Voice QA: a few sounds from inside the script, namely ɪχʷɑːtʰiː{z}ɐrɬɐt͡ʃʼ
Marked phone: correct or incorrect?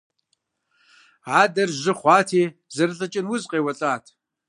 correct